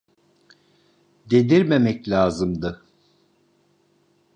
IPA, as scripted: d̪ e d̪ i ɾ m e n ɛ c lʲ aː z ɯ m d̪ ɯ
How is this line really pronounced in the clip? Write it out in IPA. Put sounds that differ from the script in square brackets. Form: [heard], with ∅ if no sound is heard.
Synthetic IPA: d̪ e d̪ i ɾ m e [m] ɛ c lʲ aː z ɯ m d̪ ɯ